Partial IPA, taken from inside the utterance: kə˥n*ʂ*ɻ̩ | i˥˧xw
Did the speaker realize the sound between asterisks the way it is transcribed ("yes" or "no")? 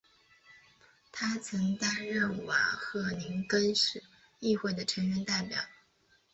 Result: yes